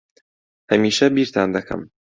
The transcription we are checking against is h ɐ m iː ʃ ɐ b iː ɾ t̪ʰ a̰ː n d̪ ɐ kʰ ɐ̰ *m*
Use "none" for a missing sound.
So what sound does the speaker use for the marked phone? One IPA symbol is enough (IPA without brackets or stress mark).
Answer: m